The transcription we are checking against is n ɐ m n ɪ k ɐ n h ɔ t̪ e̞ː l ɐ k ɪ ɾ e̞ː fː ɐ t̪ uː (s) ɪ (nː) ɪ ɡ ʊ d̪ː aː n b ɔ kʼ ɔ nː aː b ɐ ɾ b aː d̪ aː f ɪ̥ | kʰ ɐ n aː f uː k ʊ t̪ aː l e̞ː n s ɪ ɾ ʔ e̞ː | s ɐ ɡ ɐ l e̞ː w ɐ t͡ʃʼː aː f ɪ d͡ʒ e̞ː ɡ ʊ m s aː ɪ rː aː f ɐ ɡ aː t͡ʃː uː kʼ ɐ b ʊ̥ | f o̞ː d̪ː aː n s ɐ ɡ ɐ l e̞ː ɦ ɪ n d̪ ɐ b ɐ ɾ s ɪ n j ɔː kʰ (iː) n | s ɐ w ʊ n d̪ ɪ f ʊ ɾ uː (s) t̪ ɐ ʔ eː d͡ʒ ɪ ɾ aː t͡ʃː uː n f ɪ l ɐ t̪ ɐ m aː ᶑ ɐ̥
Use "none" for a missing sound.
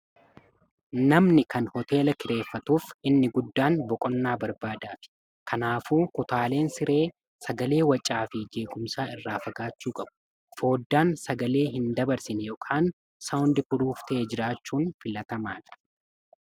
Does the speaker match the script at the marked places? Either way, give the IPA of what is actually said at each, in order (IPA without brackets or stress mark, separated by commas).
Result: f, nː, aː, f